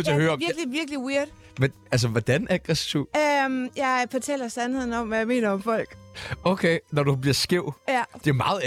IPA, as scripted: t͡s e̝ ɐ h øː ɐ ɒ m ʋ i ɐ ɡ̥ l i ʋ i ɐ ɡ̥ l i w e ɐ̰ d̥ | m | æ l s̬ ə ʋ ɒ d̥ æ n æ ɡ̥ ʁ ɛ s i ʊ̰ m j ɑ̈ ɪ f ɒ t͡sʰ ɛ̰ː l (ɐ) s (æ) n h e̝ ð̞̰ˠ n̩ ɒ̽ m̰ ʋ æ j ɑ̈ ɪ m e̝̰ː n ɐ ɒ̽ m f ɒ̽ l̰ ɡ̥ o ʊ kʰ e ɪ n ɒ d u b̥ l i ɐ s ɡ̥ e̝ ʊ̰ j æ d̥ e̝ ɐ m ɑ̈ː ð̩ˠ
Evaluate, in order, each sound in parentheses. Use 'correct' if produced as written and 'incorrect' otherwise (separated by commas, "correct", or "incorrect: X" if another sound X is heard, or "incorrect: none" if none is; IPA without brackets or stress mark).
correct, correct